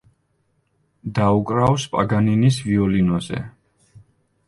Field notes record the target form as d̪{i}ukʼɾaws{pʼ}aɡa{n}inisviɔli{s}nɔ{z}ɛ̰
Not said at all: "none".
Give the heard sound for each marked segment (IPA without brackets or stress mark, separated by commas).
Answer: a, pʼ, n, none, z